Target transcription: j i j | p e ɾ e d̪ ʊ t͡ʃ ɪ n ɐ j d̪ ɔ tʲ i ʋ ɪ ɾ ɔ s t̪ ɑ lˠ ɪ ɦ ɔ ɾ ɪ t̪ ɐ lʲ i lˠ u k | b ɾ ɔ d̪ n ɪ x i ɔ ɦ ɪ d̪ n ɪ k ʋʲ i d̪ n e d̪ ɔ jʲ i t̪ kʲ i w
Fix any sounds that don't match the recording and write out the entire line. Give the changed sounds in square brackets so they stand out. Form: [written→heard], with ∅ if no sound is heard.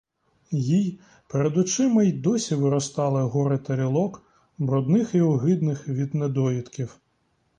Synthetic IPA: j i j | p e ɾ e d̪ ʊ t͡ʃ ɪ [n→m] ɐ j d̪ ɔ [tʲ→sʲ] i ʋ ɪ ɾ ɔ s t̪ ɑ lˠ ɪ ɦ ɔ ɾ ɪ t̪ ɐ [lʲ→ɾʲ] i lˠ [u→ɔ] k | b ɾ ɔ d̪ n ɪ x i ɔ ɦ ɪ d̪ n ɪ [k→x] ʋʲ i d̪ n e d̪ ɔ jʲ i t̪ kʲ i w

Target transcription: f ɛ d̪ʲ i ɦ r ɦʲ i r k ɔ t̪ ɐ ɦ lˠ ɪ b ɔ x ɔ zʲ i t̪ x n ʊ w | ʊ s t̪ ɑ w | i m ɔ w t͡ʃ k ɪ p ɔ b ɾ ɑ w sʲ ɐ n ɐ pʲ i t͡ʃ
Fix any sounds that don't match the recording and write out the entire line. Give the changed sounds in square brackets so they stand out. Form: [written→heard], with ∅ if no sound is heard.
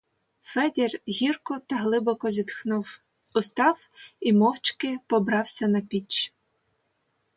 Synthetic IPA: f ɛ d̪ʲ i [ɦ→∅] r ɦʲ i r k ɔ t̪ ɐ ɦ lˠ ɪ b ɔ [x→k] ɔ zʲ i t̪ x n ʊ w | ʊ s t̪ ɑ w | i m ɔ w t͡ʃ k ɪ p ɔ b ɾ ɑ w sʲ ɐ n ɐ pʲ i t͡ʃ

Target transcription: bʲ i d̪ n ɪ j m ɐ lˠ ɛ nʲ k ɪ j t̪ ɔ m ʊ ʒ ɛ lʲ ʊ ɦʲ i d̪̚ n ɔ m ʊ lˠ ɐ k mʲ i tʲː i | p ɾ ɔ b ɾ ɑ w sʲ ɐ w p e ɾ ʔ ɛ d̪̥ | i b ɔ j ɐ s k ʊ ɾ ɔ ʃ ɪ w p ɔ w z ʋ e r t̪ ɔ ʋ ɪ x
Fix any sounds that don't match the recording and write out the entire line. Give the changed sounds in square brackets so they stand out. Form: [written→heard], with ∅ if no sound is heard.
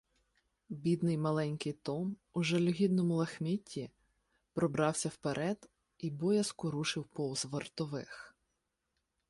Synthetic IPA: bʲ i d̪ n ɪ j m ɐ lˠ ɛ nʲ k ɪ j t̪ ɔ m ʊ ʒ ɛ lʲ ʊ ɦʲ i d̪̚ n ɔ m ʊ lˠ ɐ [k→x] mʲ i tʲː i | p ɾ ɔ b ɾ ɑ w sʲ ɐ w p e ɾ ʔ ɛ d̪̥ | i b ɔ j ɐ s k ʊ ɾ [ɔ→u] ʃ ɪ w p ɔ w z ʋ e r t̪ ɔ ʋ ɪ x

